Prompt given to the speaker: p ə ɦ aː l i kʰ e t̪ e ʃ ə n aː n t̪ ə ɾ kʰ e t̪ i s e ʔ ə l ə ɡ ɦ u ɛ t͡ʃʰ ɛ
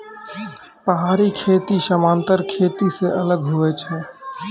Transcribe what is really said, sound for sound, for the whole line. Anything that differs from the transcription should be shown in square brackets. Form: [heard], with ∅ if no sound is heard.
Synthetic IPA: p ə ɦ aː [ɾ] i kʰ e t̪ [i] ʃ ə [m] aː n t̪ ə ɾ kʰ e t̪ i s e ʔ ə l ə ɡ ɦ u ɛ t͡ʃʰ ɛ